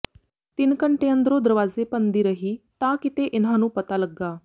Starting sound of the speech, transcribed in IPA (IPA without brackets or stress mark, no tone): t̪